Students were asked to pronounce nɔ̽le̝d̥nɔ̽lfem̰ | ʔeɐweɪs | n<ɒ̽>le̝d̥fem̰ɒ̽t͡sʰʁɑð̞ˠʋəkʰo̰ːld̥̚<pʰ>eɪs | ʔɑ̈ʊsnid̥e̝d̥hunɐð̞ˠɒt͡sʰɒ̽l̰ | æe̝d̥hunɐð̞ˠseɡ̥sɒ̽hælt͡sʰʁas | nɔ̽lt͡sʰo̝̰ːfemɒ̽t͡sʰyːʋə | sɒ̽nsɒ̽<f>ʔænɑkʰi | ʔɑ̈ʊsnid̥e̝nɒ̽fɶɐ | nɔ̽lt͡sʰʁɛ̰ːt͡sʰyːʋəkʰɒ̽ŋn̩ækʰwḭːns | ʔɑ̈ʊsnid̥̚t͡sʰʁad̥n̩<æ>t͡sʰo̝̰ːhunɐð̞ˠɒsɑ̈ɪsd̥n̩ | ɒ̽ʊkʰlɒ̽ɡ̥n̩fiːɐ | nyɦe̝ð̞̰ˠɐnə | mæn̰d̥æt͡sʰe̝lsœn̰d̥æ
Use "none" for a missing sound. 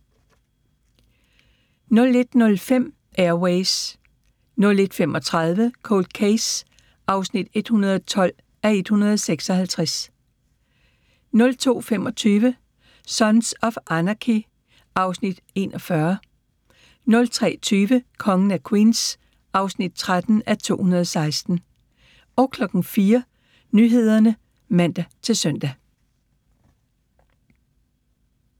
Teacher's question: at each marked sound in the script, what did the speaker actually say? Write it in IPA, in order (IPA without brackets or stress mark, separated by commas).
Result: ɔ̽, kʰ, f, æ